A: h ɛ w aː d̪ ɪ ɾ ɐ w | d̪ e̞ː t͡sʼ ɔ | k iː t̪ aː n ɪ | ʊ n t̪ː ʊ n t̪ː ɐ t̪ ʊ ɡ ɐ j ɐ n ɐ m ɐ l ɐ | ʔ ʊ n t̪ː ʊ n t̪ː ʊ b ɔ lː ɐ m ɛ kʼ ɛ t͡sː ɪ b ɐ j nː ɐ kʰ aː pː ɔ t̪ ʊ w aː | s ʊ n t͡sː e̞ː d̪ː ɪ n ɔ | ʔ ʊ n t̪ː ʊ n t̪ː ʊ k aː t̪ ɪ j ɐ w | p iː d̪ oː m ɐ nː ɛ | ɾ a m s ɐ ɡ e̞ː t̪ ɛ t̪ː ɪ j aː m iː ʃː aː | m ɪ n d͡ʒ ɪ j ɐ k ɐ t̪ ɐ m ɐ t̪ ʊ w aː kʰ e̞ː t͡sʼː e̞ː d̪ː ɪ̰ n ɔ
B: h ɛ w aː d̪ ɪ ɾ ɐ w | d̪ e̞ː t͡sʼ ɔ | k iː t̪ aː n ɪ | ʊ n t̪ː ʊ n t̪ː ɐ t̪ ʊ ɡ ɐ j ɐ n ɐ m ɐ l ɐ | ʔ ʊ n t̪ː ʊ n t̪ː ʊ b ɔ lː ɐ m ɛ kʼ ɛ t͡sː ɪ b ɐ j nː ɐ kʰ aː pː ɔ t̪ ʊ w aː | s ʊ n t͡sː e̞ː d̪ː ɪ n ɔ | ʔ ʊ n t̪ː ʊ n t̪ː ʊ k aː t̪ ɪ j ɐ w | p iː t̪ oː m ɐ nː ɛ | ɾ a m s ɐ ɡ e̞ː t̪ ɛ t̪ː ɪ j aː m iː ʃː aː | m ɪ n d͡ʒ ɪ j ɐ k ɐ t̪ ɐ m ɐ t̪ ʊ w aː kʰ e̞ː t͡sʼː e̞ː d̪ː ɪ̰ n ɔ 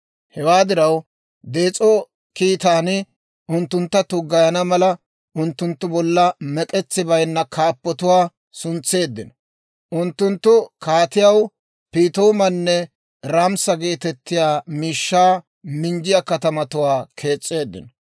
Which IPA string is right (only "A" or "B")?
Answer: B